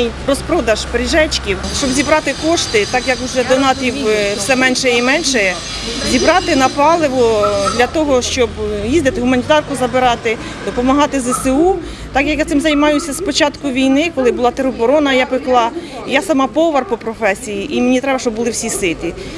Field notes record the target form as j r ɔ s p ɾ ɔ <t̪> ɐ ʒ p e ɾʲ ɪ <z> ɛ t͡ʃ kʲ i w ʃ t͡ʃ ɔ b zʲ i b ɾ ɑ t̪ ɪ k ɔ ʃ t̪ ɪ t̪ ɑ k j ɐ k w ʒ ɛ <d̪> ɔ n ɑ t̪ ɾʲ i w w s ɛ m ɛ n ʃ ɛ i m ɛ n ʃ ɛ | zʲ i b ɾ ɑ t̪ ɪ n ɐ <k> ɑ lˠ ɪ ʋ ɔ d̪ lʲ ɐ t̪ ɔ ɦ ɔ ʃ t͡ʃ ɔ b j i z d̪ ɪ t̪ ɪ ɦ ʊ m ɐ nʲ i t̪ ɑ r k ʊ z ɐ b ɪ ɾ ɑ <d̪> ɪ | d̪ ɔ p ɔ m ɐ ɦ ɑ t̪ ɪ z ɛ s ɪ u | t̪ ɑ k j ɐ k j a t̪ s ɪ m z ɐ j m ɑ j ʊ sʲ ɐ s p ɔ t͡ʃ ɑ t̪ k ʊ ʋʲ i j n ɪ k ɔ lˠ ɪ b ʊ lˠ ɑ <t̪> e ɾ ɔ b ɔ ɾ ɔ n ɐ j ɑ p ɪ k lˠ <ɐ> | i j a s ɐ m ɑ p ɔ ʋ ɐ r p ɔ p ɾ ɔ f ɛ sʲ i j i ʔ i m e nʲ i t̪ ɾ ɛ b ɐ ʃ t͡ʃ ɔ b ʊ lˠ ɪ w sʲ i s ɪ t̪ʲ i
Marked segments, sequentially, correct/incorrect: incorrect, incorrect, correct, incorrect, incorrect, correct, incorrect

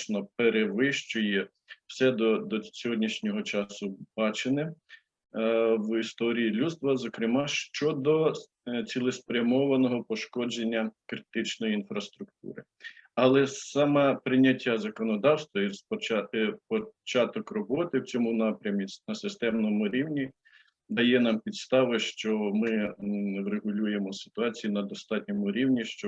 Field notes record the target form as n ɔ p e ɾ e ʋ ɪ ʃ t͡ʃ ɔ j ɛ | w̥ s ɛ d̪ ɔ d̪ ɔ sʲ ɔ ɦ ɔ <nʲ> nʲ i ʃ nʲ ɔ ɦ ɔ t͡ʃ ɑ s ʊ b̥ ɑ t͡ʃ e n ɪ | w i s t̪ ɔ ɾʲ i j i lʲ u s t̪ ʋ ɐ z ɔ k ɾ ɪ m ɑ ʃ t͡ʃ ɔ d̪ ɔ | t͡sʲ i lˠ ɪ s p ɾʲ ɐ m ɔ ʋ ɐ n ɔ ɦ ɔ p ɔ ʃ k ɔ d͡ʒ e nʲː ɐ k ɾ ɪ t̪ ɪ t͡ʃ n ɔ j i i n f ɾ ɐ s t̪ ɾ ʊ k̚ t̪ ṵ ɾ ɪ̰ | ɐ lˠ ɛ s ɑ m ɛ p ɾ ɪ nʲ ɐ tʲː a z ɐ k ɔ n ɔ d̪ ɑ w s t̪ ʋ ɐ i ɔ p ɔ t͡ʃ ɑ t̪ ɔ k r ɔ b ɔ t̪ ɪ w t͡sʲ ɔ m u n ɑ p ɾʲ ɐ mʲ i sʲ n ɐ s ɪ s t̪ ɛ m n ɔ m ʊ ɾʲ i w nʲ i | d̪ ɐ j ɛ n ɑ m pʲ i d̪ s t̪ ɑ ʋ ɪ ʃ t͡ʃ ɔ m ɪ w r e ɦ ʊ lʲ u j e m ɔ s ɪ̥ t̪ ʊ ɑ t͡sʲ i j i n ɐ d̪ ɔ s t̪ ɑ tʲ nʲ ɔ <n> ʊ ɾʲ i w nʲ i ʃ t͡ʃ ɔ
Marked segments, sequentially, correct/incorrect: incorrect, incorrect

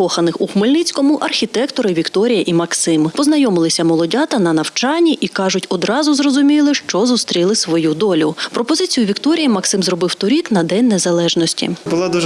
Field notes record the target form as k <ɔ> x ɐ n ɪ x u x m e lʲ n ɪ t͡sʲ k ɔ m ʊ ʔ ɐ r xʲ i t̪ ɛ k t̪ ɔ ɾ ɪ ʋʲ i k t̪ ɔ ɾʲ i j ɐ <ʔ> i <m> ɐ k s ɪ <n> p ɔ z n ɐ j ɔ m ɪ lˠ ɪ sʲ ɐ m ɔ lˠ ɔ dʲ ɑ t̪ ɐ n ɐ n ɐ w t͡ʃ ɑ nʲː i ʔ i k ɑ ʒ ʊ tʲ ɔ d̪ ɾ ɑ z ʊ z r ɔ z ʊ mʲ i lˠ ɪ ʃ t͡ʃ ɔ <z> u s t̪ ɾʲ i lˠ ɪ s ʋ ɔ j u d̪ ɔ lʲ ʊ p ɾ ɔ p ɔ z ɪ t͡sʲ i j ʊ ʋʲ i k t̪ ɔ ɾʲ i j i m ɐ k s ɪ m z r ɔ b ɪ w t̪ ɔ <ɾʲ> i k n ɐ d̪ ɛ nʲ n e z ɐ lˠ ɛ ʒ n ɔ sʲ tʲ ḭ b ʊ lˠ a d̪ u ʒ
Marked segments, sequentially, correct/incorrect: correct, correct, correct, incorrect, correct, correct

